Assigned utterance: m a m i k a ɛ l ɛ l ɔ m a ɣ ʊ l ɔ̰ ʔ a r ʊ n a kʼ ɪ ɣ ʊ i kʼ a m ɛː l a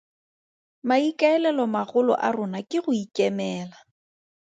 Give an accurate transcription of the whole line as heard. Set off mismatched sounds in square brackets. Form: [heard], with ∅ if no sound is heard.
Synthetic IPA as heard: m a [∅] i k a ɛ l ɛ l ɔ m a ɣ ʊ l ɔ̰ ʔ a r ʊ n a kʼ ɪ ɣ ʊ i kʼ [ɛ] m ɛː l a